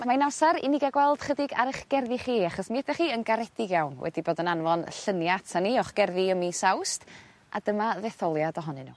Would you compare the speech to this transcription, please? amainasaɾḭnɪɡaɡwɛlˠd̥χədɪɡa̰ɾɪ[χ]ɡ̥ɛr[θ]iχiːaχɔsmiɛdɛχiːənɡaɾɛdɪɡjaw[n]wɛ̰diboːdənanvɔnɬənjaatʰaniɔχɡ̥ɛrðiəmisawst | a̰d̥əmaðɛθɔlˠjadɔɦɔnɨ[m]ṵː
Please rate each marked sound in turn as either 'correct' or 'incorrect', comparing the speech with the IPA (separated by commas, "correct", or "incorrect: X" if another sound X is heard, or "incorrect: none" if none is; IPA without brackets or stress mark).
correct, incorrect: ð, correct, incorrect: n